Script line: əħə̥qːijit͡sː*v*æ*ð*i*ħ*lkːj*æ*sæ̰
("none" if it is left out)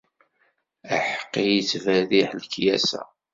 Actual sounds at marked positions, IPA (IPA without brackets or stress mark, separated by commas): v, ð, ħ, æ